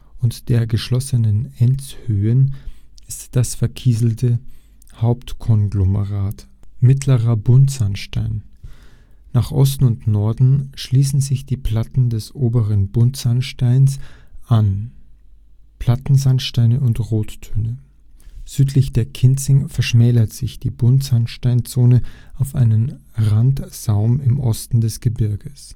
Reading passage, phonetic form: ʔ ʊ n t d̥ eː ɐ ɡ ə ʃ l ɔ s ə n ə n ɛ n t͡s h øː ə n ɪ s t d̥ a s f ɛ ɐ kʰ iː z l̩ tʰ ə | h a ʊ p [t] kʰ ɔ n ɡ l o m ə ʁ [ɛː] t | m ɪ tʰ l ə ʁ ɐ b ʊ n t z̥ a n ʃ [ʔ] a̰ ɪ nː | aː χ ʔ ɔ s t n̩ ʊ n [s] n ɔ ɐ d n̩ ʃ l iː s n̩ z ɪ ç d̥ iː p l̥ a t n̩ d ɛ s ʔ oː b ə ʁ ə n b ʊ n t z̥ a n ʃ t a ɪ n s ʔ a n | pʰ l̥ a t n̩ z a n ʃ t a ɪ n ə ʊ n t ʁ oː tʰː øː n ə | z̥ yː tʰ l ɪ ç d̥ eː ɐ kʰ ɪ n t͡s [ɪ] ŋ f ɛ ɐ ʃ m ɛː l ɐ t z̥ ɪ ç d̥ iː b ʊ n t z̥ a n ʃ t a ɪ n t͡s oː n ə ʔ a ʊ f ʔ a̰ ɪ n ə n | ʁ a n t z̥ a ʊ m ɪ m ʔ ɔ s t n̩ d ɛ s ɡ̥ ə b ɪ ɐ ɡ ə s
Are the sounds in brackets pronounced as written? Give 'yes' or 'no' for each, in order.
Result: yes, no, no, no, yes

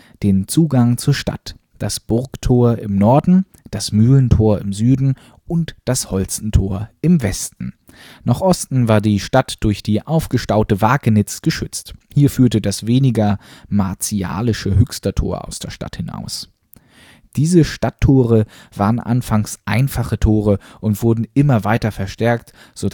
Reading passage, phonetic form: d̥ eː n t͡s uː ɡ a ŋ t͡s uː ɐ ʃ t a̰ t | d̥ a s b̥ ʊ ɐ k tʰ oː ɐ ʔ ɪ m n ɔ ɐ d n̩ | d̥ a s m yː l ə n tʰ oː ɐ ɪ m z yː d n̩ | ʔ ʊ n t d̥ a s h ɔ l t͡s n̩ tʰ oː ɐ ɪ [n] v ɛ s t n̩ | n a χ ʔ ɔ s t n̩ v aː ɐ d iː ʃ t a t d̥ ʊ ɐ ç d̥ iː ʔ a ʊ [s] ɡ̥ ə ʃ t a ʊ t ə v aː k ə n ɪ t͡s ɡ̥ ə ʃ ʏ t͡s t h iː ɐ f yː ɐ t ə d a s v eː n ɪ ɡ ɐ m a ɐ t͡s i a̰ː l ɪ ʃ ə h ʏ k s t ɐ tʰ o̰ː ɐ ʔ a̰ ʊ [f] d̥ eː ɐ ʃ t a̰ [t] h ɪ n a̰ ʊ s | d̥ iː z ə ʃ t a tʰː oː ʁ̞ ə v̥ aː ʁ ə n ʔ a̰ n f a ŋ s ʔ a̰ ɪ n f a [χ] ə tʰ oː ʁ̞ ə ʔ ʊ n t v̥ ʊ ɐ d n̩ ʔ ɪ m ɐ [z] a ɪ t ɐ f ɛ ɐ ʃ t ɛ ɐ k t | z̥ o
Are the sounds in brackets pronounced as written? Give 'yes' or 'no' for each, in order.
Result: no, no, no, yes, yes, no

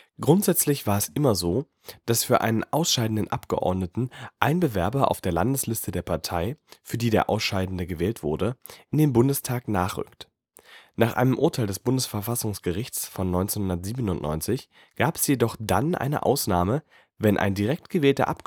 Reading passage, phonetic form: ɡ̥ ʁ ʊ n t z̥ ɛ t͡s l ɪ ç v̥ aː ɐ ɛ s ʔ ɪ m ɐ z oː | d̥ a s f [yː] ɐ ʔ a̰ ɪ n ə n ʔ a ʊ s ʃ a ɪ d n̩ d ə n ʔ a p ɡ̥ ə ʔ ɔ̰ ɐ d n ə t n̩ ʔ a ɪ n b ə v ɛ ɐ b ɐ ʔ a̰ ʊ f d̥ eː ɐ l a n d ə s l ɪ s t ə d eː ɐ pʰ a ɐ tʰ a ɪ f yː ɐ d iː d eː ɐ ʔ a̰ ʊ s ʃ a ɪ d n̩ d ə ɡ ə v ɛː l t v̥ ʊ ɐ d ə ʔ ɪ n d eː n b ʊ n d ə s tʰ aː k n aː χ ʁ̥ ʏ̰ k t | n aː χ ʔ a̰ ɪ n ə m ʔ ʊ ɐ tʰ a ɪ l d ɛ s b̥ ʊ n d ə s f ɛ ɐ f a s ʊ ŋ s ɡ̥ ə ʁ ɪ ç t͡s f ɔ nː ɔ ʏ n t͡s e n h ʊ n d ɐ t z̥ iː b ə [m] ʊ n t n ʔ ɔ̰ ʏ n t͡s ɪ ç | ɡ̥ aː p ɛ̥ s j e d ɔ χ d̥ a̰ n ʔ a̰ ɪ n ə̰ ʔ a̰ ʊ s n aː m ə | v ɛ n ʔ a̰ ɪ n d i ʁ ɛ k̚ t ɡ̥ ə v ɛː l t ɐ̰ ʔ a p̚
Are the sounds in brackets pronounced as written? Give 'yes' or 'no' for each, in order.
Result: yes, no

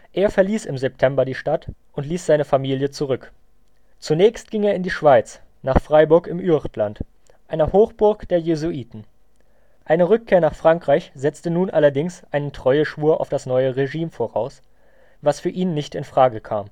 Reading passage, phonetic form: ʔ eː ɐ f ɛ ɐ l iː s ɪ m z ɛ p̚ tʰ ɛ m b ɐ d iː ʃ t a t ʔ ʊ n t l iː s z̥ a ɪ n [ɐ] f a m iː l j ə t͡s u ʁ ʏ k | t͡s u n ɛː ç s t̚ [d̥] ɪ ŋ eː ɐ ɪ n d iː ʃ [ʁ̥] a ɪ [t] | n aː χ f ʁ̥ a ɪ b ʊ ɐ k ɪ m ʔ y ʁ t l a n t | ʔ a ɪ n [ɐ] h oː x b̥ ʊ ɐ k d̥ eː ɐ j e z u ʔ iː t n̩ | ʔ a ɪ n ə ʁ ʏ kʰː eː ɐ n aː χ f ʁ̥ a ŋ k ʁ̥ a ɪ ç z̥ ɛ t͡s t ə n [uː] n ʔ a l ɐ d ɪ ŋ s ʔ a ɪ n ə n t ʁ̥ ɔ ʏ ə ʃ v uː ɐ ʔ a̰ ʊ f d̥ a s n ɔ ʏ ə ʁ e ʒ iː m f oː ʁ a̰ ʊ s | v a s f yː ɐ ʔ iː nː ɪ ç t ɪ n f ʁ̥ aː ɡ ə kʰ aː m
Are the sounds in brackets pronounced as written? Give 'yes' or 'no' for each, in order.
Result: no, no, no, no, yes, yes

